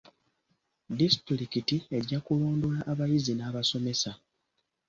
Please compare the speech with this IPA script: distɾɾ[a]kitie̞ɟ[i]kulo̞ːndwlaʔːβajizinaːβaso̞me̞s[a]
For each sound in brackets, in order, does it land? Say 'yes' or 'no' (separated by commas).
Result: no, no, yes